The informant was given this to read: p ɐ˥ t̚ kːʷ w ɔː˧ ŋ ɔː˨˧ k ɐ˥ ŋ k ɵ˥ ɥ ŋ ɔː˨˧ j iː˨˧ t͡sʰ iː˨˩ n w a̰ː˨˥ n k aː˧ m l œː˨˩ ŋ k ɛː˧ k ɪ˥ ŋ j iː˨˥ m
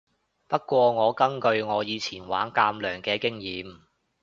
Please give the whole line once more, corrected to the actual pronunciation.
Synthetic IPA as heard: p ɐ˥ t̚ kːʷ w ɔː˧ ŋ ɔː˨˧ k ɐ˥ ŋ k ɵ˧ ɥ ŋ ɔː˨˧ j iː˨˧ t͡sʰ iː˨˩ n w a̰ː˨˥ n k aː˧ m l œː˨˩ ŋ k ɛː˧ k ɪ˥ ŋ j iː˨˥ m